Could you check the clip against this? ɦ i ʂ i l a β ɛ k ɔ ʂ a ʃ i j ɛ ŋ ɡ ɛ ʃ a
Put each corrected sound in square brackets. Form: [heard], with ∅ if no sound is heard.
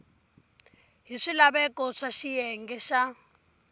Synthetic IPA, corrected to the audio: ɦ i ʂ i l a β ɛ k ɔ ʂ a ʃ i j ɛ ŋ ɡ ɛ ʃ a